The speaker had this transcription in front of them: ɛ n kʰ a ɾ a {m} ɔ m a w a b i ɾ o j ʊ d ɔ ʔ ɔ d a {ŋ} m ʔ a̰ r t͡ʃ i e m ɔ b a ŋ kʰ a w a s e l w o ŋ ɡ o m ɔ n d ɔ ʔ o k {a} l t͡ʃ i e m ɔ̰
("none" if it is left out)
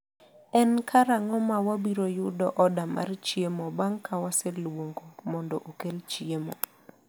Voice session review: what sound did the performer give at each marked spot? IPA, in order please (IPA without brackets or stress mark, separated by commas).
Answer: ŋ, none, e